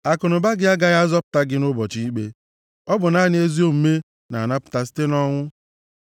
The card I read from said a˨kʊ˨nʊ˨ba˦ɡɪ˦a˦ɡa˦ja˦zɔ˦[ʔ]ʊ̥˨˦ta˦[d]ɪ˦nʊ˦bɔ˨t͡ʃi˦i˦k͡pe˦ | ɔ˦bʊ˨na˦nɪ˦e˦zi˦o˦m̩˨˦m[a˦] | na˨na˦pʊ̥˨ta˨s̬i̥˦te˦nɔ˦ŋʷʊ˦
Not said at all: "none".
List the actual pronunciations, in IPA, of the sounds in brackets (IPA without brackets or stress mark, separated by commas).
p, ɡ, e˦